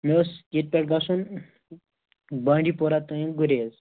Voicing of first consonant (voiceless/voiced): voiced